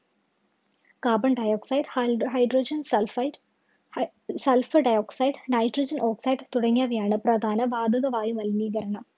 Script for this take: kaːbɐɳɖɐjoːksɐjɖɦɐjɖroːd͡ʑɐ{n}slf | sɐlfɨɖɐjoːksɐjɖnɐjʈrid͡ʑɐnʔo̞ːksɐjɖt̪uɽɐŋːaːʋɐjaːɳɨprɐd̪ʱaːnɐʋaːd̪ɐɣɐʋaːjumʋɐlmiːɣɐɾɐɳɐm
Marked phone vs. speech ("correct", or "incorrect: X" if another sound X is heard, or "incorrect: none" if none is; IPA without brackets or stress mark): correct